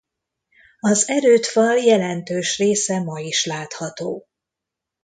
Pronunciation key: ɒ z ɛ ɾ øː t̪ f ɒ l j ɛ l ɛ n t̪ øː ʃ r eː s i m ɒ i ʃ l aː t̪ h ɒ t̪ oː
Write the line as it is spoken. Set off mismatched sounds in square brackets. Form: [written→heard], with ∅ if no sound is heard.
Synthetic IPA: ɒ z ɛ ɾ øː t̪ f ɒ l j ɛ l ɛ n t̪ øː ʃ r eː s [i→ɛ] m ɒ i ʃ l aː t̪ h ɒ t̪ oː